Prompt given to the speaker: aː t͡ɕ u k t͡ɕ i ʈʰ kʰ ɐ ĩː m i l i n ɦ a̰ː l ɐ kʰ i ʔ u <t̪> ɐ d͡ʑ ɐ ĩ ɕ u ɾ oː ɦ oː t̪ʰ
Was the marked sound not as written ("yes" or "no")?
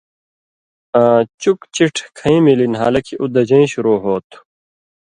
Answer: yes